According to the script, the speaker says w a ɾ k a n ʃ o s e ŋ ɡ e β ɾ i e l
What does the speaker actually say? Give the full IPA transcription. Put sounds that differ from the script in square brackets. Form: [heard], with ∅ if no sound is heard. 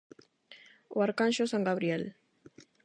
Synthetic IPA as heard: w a ɾ k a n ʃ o s [a] ŋ ɡ [a] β ɾ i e l